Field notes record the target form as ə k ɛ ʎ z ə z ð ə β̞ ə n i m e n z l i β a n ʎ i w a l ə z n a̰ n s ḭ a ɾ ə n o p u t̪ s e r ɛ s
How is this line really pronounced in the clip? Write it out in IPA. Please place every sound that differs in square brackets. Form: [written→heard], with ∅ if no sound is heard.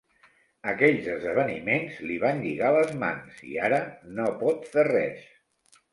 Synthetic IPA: ə k ɛ ʎ z ə z ð ə β̞ ə n i m e n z l i β a n ʎ i [w→ɣ] a l ə z [n→m] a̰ n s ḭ a ɾ ə n o p [u→ɔ] t̪ [s→f] e r ɛ s